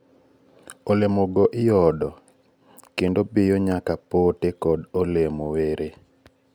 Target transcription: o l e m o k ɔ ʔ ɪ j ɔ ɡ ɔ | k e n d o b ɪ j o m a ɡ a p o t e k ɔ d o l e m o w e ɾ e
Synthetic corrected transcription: o l e m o ɡ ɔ ʔ ɪ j ɔ d ɔ | k e n d o b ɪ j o ɲ a k a p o t e k ɔ d o l e m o w e ɾ e